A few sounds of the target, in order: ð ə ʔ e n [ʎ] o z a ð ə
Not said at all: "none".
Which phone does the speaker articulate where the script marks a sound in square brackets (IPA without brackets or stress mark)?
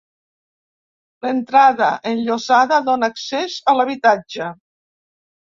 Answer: ʎ